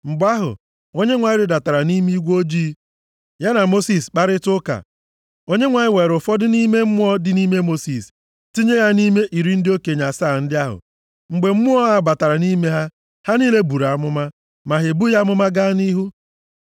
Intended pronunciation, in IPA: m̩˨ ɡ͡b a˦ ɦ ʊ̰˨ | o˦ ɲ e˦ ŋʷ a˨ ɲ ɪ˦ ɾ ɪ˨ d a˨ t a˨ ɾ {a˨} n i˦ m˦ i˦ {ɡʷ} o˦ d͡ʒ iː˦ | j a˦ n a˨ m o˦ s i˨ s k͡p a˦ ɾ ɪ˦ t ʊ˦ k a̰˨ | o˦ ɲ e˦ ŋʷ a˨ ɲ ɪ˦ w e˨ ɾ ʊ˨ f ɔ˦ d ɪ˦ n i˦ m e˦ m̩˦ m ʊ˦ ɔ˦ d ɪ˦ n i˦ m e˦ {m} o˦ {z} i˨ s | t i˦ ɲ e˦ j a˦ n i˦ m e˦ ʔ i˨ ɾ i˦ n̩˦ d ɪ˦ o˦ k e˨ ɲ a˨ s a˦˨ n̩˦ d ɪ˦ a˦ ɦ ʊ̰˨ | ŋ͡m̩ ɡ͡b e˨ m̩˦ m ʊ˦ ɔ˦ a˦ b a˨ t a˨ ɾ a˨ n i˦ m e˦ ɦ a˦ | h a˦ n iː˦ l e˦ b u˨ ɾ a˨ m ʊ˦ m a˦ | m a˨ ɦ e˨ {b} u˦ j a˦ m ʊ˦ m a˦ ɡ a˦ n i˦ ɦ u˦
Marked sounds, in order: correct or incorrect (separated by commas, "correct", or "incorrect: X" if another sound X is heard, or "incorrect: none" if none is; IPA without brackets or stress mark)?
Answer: correct, correct, correct, incorrect: s, correct